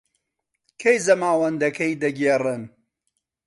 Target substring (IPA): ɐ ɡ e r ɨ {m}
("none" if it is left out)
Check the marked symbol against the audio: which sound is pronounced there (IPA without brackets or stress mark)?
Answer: n